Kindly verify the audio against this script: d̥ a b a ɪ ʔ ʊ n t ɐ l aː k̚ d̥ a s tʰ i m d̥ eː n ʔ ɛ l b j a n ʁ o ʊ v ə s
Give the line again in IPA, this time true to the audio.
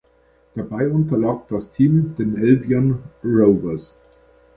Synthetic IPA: d̥ a b a ɪ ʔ ʊ n t ɐ l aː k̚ d̥ a s tʰ iː m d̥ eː n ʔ ɛ l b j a n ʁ o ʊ v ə s